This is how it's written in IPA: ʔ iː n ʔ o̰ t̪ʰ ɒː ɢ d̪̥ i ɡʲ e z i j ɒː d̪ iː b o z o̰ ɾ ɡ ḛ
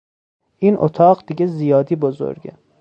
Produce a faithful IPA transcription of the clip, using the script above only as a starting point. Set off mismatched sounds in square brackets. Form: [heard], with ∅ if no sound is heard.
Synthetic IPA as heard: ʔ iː n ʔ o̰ t̪ʰ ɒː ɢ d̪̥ i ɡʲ e z i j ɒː d̪ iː b o z o̰ ɾ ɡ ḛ